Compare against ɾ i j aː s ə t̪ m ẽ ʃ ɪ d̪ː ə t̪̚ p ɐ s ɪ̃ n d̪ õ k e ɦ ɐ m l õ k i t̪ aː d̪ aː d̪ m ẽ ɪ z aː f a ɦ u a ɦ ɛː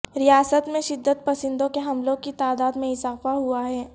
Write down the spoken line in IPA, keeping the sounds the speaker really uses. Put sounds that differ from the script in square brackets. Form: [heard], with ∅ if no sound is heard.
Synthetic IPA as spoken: ɾ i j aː s ə t̪ m ẽ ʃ ɪ d̪ː ə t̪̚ p ɐ s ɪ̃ n d̪ õ k e ɦ ɐ m l õ k i t̪ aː d̪ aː d̪ m ẽ ɪ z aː f a ɦ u a ɦ ɛː